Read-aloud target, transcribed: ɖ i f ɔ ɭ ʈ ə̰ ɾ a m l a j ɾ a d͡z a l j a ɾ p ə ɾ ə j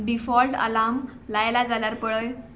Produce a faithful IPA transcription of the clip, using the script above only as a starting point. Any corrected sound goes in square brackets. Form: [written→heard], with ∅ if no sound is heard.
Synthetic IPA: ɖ i f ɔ [ɭ→l] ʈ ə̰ [ɾ→l] a m l a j [ɾ→l] a d͡z a l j a ɾ p ə [ɾ→ɭ] ə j

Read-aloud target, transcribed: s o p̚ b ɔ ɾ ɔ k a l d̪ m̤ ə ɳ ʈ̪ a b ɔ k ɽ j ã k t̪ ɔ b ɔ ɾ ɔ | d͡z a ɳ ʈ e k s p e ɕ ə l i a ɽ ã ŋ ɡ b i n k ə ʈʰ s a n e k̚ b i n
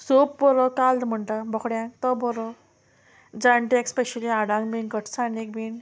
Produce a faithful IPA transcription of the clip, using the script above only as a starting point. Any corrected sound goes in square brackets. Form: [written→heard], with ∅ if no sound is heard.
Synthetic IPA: s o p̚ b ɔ ɾ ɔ k a l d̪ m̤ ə ɳ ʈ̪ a b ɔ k ɽ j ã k t̪ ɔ b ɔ ɾ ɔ | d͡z a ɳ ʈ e k s p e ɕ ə l i a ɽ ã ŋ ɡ b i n k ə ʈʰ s a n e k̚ b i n

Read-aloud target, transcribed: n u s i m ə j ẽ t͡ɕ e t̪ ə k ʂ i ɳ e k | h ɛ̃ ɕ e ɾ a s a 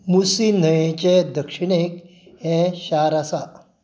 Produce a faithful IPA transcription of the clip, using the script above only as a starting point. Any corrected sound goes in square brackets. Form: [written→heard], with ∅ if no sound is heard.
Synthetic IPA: [n→m] u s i [m→n] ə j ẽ t͡ɕ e [t̪→d̪] ə k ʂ i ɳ e k | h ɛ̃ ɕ [e→a] ɾ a s a

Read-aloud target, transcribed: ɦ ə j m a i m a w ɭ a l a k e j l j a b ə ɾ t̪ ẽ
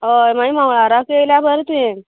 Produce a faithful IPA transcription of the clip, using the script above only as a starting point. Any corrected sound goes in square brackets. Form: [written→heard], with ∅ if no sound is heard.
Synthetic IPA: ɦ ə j m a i m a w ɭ a [l→ɾ] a k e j l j a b ə ɾ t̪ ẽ

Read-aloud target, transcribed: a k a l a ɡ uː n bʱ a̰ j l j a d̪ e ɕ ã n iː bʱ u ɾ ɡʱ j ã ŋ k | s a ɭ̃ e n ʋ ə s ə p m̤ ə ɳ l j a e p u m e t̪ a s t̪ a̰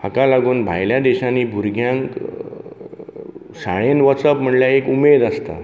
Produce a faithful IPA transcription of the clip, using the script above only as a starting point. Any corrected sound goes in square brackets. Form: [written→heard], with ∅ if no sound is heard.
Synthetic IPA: a k a l a ɡ uː n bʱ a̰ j l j a d̪ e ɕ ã n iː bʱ u ɾ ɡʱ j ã ŋ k | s a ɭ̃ e n ʋ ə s ə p m̤ ə ɳ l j a e [p→k] u m e [t̪→d̪] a s t̪ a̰

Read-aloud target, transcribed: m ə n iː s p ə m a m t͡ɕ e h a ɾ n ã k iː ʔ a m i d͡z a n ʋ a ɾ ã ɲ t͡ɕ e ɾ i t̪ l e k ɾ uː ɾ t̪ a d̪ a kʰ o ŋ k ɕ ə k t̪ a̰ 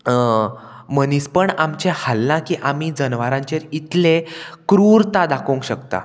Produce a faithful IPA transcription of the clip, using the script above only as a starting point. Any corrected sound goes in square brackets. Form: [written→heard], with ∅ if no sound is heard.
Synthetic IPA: m ə n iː s p ə [m→ɳ] a m t͡ɕ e h a [ɾ→l] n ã k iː ʔ a m i d͡z [a→ə] n ʋ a ɾ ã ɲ t͡ɕ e ɾ i t̪ l e k ɾ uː ɾ t̪ a d̪ a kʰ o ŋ k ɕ ə k t̪ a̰

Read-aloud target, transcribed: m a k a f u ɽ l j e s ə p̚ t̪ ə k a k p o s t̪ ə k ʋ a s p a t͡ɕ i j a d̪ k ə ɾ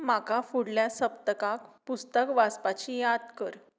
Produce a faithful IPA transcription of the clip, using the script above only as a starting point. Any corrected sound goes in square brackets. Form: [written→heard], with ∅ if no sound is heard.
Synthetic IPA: m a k a f u ɽ l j [e→a] s ə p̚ t̪ ə k a k p [o→u] s t̪ ə k ʋ a s p a t͡ɕ i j a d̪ k ə ɾ

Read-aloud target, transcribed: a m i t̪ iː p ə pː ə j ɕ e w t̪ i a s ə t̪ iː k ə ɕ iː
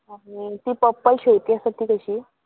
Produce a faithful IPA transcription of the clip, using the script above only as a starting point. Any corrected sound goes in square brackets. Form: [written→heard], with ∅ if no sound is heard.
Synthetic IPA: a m i t̪ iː p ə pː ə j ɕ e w t̪ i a s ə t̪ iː k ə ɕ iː

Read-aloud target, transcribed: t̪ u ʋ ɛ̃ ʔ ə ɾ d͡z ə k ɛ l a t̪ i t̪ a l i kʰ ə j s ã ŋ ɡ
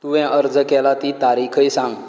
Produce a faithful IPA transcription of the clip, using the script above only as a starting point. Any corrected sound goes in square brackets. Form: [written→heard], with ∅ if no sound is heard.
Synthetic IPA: t̪ u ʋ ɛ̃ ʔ ə ɾ d͡z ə k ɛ l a t̪ i t̪ a [l→ɾ] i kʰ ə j s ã ŋ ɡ

